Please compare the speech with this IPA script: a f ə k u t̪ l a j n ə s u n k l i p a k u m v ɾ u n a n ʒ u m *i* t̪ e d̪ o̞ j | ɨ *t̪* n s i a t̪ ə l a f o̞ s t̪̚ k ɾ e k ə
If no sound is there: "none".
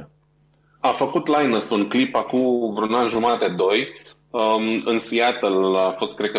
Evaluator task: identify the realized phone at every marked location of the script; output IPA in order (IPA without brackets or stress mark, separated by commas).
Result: a, none